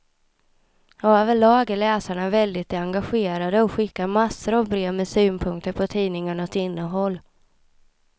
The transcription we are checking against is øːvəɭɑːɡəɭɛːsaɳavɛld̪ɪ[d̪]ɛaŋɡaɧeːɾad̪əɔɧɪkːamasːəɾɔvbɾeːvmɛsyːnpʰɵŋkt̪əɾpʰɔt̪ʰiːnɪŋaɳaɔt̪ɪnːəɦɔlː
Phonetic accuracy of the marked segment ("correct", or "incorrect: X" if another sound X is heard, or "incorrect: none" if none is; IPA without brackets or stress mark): incorrect: t̪